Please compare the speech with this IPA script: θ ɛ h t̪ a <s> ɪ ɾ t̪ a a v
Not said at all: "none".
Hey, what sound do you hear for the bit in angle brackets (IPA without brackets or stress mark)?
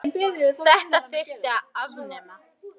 s